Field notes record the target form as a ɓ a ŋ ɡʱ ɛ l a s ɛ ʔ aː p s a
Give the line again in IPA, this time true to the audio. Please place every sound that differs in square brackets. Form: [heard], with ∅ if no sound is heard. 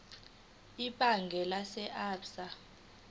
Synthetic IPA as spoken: [i] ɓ a ŋ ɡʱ ɛ l a s ɛ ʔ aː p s a